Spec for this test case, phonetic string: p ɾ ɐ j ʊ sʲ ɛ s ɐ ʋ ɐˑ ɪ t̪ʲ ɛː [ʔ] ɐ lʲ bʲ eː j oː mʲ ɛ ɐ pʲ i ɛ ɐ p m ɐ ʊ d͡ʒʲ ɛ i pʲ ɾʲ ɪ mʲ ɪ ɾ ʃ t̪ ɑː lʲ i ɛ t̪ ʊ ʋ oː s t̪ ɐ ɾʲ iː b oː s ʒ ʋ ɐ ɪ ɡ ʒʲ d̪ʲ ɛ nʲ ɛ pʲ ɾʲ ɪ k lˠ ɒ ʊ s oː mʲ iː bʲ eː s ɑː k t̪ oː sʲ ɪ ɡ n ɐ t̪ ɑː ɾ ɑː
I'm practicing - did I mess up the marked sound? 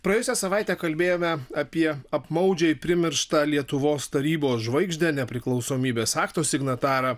yes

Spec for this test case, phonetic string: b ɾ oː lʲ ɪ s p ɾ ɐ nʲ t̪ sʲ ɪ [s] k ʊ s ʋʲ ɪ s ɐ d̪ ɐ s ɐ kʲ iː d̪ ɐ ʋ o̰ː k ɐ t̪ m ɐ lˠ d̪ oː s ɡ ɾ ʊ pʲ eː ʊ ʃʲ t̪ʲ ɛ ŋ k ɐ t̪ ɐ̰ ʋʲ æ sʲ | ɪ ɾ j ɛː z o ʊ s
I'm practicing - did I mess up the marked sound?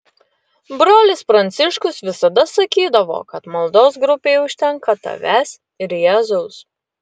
yes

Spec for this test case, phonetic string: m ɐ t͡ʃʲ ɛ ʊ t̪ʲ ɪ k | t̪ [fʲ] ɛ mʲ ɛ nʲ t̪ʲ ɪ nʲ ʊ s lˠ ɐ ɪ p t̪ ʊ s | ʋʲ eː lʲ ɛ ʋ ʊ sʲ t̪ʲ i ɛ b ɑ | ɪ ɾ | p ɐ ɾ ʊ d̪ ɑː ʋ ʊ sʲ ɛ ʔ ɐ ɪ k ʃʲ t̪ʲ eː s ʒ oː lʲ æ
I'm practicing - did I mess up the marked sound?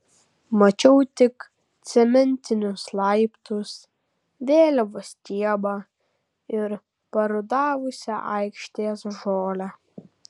yes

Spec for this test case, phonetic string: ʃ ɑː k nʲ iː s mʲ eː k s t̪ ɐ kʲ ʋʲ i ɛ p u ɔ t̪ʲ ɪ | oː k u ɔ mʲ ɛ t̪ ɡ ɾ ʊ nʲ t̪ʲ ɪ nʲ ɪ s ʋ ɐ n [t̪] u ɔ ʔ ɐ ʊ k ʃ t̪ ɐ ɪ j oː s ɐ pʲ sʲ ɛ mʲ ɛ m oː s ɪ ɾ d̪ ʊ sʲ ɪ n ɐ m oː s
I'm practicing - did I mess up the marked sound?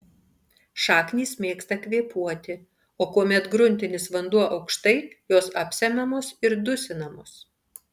yes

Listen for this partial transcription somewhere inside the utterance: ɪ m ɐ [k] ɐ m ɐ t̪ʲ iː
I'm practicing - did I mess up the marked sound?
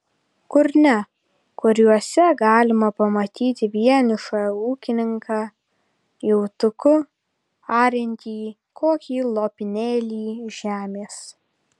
yes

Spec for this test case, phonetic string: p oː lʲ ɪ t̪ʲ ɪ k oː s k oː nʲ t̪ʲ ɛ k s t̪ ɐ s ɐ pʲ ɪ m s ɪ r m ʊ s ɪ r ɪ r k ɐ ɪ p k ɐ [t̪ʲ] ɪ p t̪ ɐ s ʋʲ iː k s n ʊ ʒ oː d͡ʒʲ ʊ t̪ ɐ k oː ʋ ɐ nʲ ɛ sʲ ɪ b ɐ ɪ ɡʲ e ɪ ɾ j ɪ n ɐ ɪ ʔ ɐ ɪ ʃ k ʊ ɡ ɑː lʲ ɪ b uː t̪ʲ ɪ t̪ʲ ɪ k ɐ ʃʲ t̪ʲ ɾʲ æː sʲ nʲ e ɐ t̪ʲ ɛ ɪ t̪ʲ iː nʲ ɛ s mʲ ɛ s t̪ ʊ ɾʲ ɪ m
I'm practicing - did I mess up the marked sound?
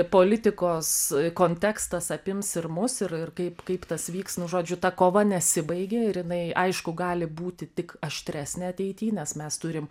yes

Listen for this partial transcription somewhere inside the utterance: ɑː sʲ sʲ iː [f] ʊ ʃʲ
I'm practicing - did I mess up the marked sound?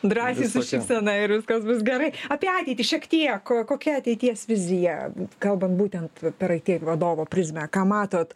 yes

